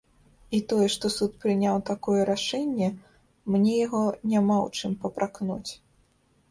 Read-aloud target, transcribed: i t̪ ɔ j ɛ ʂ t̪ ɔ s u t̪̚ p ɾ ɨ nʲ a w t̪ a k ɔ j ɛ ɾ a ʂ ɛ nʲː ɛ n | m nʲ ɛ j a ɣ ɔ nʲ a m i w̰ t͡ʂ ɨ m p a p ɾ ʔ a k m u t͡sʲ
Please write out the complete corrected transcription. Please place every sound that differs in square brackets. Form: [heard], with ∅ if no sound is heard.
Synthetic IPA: i t̪ ɔ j ɛ ʂ t̪ ɔ s u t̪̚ p ɾ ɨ nʲ a w t̪ a k ɔ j ɛ ɾ a ʂ ɛ nʲː ɛ [∅] | m nʲ ɛ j a ɣ ɔ nʲ a m [a] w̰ t͡ʂ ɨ m p [ɐ] p ɾ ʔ a k [n] u t͡sʲ

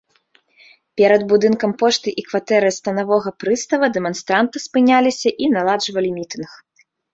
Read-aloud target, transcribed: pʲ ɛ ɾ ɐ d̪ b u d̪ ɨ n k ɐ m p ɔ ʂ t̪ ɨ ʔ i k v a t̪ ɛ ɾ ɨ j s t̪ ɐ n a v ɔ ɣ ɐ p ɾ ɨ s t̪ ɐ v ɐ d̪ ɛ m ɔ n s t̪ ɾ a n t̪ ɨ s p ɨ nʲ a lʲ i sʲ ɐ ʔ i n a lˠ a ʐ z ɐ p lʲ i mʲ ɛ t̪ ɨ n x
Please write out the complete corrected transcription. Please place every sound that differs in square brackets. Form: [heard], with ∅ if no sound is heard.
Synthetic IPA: pʲ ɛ ɾ ɐ d̪ b u d̪ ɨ n k ɐ m p ɔ ʂ t̪ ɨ ʔ i k v a t̪ ɛ ɾ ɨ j s t̪ ɐ n a v ɔ ɣ ɐ p ɾ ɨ s t̪ ɐ v ɐ d̪ ɛ m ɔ n s t̪ ɾ a n t̪ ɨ s p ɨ nʲ a lʲ i sʲ ɐ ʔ i n a lˠ a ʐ [v] ɐ [∅] lʲ i mʲ [i] t̪ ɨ n x

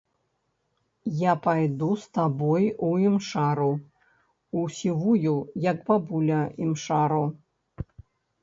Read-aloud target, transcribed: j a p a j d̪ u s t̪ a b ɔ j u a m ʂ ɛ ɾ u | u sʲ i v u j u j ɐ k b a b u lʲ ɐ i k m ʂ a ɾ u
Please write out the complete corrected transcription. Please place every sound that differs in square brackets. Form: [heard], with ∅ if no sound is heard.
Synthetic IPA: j a p a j d̪ u s t̪ a b ɔ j u [i] m ʂ [a] ɾ u | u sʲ i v u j u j ɐ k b a b u lʲ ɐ i [∅] m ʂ a ɾ u

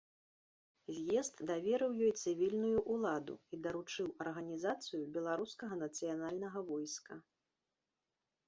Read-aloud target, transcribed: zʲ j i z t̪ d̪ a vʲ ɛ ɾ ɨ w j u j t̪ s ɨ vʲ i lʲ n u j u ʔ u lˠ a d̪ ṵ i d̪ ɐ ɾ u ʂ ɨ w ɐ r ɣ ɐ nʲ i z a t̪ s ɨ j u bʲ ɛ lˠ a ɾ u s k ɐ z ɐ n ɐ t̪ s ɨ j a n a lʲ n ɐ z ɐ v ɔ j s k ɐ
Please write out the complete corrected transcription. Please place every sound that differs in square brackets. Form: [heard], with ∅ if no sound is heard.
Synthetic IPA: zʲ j [ɛ] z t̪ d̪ a vʲ ɛ ɾ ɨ w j [ɔ] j t̪ s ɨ vʲ i lʲ n u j u ʔ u lˠ a d̪ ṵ i d̪ ɐ ɾ u [t͡ʂ] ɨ w ɐ r ɣ ɐ nʲ i z a t̪ s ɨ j u bʲ ɛ lˠ a ɾ u s k ɐ [ɣ] ɐ n ɐ t̪ s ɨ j a n a lʲ n ɐ [ɣ] ɐ v ɔ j s k ɐ

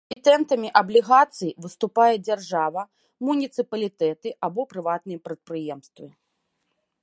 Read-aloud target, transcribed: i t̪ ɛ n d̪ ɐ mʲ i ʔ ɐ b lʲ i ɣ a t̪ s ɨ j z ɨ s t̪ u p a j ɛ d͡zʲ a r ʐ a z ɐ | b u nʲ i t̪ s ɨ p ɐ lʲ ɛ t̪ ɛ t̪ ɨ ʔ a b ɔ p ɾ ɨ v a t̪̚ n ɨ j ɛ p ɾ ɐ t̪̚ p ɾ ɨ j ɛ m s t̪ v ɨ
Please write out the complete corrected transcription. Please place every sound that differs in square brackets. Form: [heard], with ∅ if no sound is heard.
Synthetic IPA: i t̪ ɛ n [t̪] ɐ mʲ i ʔ ɐ b lʲ i ɣ a t̪ s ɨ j [v] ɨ s t̪ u p a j ɛ d͡zʲ a r ʐ a [v] ɐ | [m] u nʲ i t̪ s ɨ p ɐ lʲ [i] t̪ ɛ t̪ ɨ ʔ a b ɔ p ɾ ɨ v a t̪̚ n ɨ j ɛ p ɾ ɐ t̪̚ p ɾ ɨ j ɛ m s t̪ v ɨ

